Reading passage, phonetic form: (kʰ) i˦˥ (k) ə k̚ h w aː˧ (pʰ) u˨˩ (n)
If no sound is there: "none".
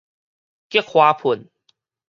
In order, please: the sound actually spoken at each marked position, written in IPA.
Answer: k, none, pʰ, n

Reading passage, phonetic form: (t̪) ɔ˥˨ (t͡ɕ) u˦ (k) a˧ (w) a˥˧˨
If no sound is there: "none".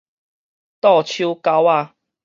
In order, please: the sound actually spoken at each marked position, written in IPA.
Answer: t̪, t͡ɕʰ, k, w

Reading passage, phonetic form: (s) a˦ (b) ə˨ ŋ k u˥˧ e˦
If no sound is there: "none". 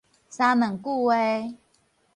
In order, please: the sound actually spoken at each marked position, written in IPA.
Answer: s, m

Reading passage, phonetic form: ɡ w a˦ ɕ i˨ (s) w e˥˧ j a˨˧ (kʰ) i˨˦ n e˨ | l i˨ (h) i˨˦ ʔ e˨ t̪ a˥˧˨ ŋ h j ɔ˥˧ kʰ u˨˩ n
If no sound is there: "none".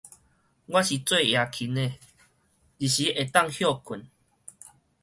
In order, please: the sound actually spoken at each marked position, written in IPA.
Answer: t͡s, kʰ, ɕ

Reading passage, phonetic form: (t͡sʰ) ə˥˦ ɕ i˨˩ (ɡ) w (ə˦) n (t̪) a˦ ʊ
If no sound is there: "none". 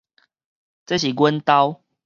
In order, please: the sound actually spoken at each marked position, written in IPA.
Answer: t͡s, ɡ, ə˦, t̪

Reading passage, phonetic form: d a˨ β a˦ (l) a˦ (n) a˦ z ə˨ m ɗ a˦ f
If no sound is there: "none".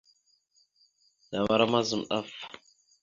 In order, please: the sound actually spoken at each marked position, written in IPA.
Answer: ɾ, m

